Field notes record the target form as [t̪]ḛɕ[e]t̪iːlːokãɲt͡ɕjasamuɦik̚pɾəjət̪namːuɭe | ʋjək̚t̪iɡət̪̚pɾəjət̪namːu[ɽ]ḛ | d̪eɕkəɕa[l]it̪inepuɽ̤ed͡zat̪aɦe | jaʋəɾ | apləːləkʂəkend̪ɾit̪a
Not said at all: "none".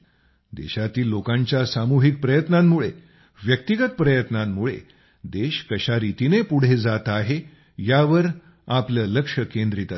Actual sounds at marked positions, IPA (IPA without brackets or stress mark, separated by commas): d̪, a, ɭ, ɾ